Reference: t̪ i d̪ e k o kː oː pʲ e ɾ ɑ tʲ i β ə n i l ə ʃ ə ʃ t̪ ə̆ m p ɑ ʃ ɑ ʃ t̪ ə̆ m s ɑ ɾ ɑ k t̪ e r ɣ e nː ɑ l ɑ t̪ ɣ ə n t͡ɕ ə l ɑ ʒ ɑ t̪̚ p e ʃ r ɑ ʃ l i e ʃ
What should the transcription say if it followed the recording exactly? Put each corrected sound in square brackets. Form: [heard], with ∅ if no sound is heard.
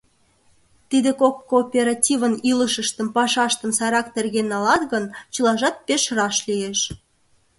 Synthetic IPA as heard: t̪ i d̪ e k o kː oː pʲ e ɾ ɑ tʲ i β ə n i l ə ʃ ə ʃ t̪ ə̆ m p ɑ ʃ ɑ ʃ t̪ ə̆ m s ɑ ɾ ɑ k t̪ e r ɣ e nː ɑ l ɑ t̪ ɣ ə n t͡ɕ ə l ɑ ʒ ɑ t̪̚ p e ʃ r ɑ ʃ l i e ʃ

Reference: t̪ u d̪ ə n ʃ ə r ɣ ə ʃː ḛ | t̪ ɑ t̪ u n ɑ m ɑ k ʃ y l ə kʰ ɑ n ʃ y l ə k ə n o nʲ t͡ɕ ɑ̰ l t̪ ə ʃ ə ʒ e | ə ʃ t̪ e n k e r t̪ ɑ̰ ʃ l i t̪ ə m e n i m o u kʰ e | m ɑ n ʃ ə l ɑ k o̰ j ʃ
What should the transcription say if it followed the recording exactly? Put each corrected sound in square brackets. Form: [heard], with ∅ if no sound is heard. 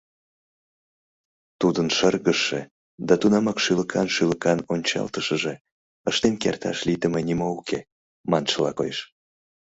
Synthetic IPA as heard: t̪ u d̪ ə n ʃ ə r ɣ ə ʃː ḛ | [d̪] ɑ t̪ u n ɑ m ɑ k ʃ y l ə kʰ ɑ n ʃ y l ə k [ɑ] n o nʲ t͡ɕ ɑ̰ l t̪ ə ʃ ə ʒ e | ə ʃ t̪ e n k e r t̪ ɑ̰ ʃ l i t̪ ə m e n i m o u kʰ e | m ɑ n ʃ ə l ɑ k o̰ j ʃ

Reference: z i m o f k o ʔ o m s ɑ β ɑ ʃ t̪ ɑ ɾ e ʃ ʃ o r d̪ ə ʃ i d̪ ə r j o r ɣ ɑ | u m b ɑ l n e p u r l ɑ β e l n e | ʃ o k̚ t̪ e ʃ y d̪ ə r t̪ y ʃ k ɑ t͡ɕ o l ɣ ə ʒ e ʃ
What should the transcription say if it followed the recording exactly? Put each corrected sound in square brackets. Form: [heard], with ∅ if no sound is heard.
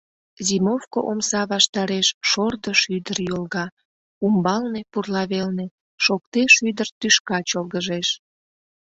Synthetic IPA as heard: z i m o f k o ʔ o m s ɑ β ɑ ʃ t̪ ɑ ɾ e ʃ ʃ o r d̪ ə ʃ [y] d̪ ə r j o [l] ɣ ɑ | u m b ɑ l n e p u r l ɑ β e l n e | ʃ o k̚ t̪ e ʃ y d̪ ə r t̪ y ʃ k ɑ t͡ɕ o l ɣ ə ʒ e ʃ

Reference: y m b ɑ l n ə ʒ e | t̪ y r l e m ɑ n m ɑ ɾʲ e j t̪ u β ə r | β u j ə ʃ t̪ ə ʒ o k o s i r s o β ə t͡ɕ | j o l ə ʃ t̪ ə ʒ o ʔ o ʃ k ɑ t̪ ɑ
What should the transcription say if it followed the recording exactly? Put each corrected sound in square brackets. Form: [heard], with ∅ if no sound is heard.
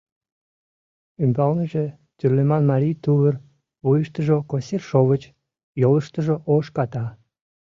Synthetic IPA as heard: y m b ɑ l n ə ʒ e | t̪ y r l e m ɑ n m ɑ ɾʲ [i] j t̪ u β ə r | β u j ə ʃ t̪ ə ʒ o k o s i r [ʃ] o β ə t͡ɕ | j o l ə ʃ t̪ ə ʒ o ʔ o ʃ k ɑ t̪ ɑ

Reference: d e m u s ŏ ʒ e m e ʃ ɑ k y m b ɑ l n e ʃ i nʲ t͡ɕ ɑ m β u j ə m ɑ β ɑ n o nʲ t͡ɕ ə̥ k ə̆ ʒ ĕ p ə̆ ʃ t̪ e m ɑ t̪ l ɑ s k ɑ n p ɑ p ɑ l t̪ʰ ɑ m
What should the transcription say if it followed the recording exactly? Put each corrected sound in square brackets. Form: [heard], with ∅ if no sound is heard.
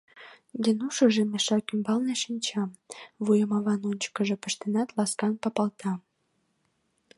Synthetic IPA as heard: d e [n] u [ʃ] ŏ ʒ e m e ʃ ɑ k y m b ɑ l n e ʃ i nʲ t͡ɕ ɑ m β u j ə m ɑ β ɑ n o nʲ t͡ɕ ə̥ k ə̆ ʒ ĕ p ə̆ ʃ t̪ e [n] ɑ t̪ l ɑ s k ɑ n p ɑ p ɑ l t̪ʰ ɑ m

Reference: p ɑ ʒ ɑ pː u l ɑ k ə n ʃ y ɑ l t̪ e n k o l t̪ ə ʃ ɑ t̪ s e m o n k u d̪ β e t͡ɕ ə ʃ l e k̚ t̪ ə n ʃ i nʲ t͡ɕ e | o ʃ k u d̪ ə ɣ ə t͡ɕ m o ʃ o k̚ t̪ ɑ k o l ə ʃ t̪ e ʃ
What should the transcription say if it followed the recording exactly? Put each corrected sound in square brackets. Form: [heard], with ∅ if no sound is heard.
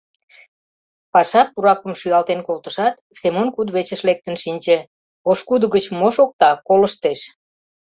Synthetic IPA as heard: p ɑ [ʃ] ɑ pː u [ɾ] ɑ k ə [m] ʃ y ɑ l t̪ e n k o l t̪ ə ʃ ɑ t̪ s e m o n k u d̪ β e t͡ɕ ə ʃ l e k̚ t̪ ə n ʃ i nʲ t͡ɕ e | o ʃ k u d̪ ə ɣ ə t͡ɕ m o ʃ o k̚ t̪ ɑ k o l ə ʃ t̪ e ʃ

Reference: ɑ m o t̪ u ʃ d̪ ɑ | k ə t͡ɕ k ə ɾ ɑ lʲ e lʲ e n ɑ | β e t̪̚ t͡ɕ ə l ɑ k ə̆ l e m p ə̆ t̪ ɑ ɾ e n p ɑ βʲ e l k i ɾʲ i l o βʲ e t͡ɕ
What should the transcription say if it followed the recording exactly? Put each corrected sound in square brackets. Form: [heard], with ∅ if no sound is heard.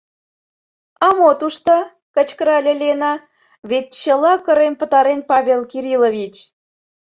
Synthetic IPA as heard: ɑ m o t̪ u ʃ [t̪] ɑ | k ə t͡ɕ k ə ɾ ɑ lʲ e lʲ e n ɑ | β e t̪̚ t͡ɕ ə l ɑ k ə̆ [ɾ] e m p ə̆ t̪ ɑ ɾ e n p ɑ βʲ e l k i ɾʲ i l o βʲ [i] t͡ɕ

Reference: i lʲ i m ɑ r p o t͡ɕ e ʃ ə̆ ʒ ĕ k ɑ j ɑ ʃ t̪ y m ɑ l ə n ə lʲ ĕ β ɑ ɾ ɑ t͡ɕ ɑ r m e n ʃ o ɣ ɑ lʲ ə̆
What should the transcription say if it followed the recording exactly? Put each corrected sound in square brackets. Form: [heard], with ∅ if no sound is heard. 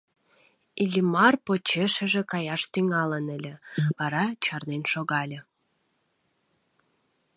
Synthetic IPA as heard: i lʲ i m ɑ r p o t͡ɕ e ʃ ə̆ ʒ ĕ k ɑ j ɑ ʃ t̪ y [ŋ] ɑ l ə n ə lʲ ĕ β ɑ ɾ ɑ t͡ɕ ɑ r [n] e n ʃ o ɣ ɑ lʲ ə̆

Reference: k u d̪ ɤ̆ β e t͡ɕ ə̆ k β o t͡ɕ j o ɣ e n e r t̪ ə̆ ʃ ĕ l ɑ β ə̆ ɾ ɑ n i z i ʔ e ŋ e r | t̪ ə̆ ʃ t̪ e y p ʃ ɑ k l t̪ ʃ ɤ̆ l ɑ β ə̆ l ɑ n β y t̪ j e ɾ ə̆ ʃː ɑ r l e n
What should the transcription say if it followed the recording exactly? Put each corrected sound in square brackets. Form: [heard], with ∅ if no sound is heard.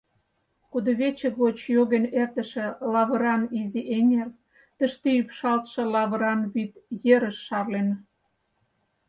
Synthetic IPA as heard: k u d̪ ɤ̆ β e t͡ɕ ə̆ k β o t͡ɕ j o ɣ e n e r t̪ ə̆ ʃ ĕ l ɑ β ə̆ ɾ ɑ n i z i ʔ e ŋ e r | t̪ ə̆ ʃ t̪ e y p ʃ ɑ [∅] l t̪ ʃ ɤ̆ l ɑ β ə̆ [ɾ] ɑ n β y t̪ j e ɾ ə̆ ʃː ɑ r l e n

